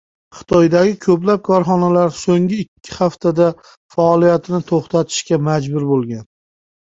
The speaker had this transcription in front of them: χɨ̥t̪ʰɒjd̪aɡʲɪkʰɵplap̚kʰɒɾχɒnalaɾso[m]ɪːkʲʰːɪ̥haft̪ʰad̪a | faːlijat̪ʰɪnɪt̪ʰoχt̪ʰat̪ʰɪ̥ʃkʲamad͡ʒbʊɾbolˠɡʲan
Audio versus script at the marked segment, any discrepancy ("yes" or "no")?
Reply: yes